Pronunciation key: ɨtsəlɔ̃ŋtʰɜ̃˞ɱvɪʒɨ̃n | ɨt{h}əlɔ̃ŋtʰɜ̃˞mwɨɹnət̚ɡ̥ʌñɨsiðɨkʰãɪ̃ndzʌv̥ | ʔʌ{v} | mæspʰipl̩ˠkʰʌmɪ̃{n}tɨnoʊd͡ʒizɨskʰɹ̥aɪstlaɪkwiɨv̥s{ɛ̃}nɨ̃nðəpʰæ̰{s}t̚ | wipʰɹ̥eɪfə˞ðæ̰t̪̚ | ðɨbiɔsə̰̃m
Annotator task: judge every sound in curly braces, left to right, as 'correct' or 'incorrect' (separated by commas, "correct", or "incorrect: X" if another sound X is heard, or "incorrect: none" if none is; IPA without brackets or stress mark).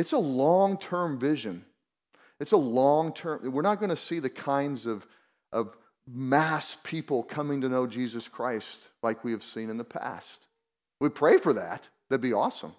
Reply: incorrect: s, correct, incorrect: ŋ, incorrect: ĩ, correct